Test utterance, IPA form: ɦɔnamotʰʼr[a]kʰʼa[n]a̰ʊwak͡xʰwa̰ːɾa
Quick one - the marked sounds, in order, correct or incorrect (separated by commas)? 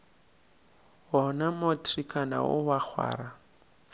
incorrect, correct